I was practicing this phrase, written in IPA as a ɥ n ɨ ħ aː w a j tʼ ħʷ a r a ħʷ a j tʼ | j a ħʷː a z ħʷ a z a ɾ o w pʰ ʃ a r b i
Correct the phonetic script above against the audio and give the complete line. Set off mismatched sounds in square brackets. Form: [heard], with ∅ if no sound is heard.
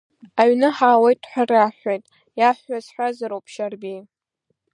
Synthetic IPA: a ɥ n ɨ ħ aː w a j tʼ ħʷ a r a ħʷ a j tʼ | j a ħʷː a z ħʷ a z a ɾ o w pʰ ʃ a r b i